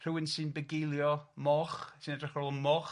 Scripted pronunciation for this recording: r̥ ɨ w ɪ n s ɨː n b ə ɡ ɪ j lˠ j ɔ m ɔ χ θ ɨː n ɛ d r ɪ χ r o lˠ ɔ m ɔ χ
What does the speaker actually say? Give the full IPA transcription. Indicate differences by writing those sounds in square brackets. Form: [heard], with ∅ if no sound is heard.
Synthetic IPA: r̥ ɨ w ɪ n s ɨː n b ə ɡ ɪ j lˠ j ɔ m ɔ χ [s] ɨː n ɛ d r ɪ χ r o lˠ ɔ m ɔ χ